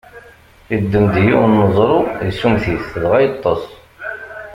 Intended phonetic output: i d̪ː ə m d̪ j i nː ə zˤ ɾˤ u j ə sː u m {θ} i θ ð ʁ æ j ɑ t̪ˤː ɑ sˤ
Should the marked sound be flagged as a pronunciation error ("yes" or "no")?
no